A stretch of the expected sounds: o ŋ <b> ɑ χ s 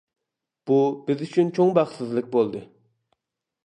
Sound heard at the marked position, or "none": b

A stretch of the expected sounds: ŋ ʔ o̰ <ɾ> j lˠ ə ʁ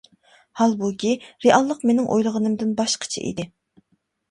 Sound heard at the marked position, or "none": none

